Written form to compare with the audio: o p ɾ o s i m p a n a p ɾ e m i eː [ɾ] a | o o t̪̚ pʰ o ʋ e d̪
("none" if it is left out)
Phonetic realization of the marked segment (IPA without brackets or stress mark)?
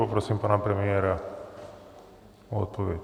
ɾ